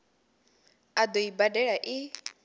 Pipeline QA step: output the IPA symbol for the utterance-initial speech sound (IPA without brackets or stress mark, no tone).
a